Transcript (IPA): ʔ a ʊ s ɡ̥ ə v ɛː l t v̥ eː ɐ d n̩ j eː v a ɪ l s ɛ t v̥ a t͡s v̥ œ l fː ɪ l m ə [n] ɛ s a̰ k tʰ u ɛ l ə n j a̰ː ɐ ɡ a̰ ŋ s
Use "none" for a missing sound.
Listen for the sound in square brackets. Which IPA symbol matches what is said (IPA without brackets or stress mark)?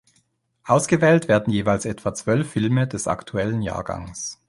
d